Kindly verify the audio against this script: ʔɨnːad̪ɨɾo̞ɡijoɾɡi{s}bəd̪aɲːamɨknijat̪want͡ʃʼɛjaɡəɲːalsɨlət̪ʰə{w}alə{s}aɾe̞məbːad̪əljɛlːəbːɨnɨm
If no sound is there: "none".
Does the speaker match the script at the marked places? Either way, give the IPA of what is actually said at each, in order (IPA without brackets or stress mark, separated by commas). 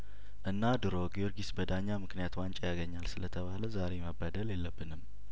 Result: s, β, z